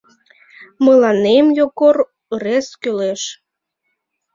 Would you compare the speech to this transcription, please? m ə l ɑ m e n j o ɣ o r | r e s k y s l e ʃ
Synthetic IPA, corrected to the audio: m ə l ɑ n e m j o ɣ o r | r e s k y l e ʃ

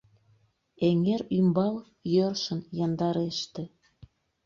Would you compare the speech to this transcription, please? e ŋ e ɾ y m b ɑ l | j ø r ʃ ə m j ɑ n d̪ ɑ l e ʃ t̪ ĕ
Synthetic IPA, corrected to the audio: e ŋ e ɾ y m b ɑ l | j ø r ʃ ə n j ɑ n d̪ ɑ ɾ e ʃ t̪ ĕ

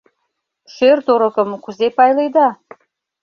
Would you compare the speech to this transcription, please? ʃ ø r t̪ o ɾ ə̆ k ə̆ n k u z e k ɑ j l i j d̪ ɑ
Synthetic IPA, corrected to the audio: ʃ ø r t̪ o ɾ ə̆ k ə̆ m k u z e p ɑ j l e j d̪ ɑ

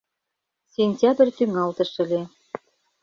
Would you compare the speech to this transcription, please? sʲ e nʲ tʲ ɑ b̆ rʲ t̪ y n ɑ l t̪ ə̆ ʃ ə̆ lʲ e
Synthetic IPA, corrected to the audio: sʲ e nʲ tʲ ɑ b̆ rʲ t̪ y ŋ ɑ l t̪ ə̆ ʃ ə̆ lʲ e

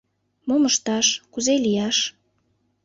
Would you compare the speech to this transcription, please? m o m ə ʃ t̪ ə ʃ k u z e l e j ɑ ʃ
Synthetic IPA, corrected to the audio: m o m ə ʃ t̪ ɑ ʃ k u z e l i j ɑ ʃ

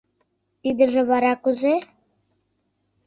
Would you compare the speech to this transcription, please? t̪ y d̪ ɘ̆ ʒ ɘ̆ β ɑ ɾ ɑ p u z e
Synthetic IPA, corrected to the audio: t̪ i d̪ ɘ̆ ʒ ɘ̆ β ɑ ɾ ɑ k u z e

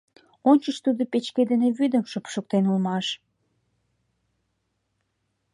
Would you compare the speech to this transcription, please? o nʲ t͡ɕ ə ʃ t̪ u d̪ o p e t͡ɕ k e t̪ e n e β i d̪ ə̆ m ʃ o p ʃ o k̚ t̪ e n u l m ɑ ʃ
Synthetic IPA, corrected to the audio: o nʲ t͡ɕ ə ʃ t̪ u d̪ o p e t͡ɕ k e d̪ e n e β y d̪ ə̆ m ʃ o p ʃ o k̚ t̪ e n u l m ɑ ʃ

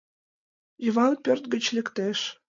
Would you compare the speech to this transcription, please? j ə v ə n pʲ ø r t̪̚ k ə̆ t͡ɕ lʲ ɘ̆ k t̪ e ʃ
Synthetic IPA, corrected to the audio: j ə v ɑ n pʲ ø r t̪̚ ɡ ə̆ t͡ɕ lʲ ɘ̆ k t̪ e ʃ

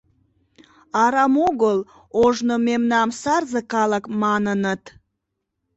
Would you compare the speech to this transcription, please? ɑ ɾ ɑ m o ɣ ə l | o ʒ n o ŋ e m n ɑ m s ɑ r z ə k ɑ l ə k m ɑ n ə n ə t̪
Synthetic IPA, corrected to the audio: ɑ ɾ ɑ m o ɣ ə l | o ʒ n o m e m n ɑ m s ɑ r z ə k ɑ l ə k m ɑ n ə n ə t̪

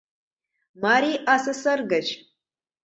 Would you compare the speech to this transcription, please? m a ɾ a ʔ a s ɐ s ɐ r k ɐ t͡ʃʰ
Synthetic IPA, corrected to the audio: m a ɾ i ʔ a s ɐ s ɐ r ɡ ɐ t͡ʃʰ

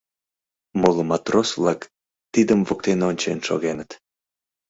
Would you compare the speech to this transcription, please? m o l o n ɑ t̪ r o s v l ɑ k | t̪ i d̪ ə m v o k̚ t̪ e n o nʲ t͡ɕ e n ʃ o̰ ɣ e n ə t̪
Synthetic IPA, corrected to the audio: m o l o m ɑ t̪ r o s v l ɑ k | t̪ i d̪ ə m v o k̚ t̪ e n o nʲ t͡ɕ e n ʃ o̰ ɣ e n ə t̪

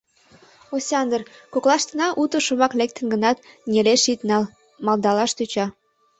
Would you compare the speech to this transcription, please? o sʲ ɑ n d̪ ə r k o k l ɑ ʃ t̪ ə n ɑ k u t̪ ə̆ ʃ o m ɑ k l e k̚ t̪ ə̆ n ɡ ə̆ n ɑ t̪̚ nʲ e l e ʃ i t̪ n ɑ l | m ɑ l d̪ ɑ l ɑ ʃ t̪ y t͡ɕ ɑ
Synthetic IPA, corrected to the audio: o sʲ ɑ n d̪ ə r k o k l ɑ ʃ t̪ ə n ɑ ʔ u t̪ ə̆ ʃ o m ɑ k l e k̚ t̪ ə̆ n ɡ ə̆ n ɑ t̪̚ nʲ e l e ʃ i t̪ n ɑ l | m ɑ l d̪ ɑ l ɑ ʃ t̪ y t͡ɕ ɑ

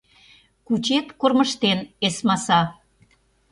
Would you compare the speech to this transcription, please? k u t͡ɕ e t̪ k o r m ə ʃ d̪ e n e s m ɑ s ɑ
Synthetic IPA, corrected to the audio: k u t͡ɕ e t̪ k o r m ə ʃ t̪ e n e s m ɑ s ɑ

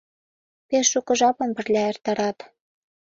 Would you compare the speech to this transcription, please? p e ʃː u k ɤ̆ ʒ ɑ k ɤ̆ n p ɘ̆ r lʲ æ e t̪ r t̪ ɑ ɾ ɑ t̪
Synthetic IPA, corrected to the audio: p e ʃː u k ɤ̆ ʒ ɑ p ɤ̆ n p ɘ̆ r lʲ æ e r t̪ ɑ ɾ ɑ t̪

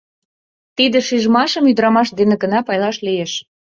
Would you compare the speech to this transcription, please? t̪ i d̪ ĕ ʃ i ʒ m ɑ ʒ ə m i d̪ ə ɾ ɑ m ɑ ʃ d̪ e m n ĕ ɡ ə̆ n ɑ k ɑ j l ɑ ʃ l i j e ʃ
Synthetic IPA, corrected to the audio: t̪ i d̪ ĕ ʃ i ʒ m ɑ ʃ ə m y d̪ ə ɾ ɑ m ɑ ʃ d̪ e n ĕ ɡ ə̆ n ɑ p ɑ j l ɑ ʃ l i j e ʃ

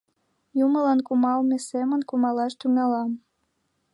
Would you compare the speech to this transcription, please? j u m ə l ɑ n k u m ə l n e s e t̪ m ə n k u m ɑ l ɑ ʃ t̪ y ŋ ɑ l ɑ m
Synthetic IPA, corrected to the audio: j u m ə l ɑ n k u m ɑ l m e s e m ə n k u m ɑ l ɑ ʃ t̪ y ŋ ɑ l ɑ m

